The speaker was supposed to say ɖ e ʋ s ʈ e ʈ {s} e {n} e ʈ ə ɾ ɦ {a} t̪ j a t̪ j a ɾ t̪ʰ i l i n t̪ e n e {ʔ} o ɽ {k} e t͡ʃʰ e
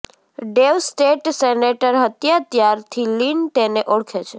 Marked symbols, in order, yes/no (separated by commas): yes, yes, no, yes, no